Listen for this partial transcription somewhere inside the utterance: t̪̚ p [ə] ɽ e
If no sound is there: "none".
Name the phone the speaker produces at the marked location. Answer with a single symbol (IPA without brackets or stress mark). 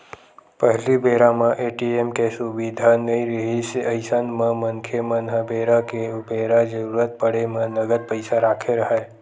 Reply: ə